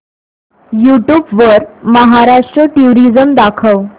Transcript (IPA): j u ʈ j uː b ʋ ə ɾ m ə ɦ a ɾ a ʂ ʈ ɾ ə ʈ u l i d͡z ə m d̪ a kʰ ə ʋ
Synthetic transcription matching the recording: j u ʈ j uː b ʋ ə ɾ m ə ɦ a ɾ a ʂ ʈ ɾ ə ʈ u ɾ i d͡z ə m d̪ a kʰ ə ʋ

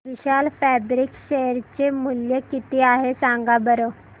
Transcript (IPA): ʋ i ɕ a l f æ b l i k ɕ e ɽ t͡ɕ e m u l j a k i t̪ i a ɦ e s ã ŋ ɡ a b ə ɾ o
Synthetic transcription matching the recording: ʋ i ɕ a l f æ b ɾ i k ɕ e ɾ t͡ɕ e m u l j ə k i t̪ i a ɦ e s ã ŋ ɡ a b ə ɾ o

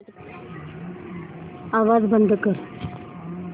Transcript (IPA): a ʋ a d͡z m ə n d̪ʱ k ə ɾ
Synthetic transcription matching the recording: a ʋ a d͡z b ə n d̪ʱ k ə ɾ

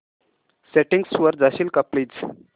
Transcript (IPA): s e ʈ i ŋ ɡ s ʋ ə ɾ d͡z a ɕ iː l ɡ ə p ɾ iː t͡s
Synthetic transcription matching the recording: s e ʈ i ŋ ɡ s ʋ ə ɾ d͡z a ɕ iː l k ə p l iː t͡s

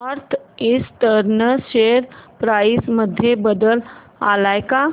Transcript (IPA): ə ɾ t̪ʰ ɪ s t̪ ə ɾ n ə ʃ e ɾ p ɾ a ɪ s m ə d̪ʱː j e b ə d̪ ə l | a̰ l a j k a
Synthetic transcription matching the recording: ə ɾ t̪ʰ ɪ s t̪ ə ɾ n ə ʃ e ɾ p ɾ a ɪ s m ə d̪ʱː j e b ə d̪ ə l | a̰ l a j k a

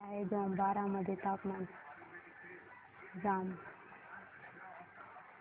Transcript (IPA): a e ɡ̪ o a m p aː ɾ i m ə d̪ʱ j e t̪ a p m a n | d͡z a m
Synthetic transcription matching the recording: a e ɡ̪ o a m b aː ɾ a m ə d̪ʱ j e t̪ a p m a n | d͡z a m

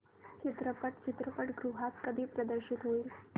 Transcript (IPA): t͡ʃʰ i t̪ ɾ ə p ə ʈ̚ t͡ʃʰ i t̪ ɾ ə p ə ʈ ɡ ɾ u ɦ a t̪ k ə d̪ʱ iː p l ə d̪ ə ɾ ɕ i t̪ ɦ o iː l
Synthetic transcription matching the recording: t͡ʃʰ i t̪ ɾ ə p ə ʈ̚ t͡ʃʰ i t̪ ɾ ə p ə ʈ ɡ ɾ u ɦ a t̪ k ə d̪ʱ iː p ɾ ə d̪ ə ɾ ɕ i t̪ ɦ o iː l

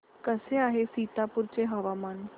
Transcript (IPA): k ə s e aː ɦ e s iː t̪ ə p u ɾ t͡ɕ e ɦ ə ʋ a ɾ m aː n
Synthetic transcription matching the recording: k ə s e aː ɦ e s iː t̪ a p u ɾ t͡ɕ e ɦ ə ʋ a m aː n

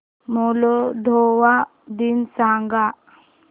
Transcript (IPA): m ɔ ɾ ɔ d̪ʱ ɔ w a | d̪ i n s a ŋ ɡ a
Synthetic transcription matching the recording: m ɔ l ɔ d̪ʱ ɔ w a | d̪ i n s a ŋ ɡ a

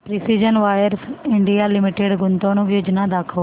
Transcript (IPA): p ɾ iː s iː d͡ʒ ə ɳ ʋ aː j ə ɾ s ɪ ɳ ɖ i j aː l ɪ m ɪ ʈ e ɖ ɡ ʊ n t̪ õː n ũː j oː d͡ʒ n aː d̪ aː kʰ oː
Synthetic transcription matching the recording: p ɾ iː s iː d͡ʒ ə n ʋ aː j ə ɾ s ɪ ɳ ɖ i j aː l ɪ m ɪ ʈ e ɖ ɡ ʊ n t̪ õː n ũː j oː d͡ʒ n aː d̪ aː kʰ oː

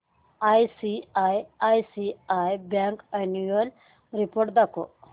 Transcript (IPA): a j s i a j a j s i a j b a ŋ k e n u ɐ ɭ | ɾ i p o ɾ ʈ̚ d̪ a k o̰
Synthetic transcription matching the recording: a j s i a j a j s i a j b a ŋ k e n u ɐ l | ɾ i p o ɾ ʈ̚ d̪ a k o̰

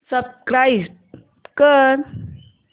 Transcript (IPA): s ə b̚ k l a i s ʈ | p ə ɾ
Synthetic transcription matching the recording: s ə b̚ k ɾ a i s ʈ | k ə ɾ

